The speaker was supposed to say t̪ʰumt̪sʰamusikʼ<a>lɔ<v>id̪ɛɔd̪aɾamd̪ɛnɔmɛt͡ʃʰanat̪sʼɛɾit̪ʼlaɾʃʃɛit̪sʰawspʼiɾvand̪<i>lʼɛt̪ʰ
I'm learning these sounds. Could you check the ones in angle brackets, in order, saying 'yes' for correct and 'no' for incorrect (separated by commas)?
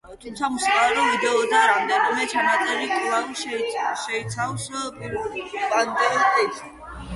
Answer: yes, yes, no